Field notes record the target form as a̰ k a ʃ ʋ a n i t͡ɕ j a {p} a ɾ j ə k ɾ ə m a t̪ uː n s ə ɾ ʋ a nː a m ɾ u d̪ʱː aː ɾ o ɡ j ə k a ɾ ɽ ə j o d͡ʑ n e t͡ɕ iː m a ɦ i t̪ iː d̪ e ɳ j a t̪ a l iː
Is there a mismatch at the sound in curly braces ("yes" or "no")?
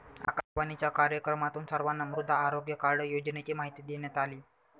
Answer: yes